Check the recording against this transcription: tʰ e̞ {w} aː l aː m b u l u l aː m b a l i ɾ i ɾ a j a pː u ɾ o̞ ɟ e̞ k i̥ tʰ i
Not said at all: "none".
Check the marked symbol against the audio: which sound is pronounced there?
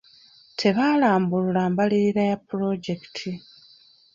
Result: β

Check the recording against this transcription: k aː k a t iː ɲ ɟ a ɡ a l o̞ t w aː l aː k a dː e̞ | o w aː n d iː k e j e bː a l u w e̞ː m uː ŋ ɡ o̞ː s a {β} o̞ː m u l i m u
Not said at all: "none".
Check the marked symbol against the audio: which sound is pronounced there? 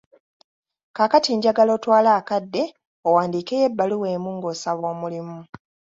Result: β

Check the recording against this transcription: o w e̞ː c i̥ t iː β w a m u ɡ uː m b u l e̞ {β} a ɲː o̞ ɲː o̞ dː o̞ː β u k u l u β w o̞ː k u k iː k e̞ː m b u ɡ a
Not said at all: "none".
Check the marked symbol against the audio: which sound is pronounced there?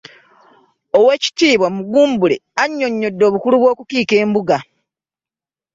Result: none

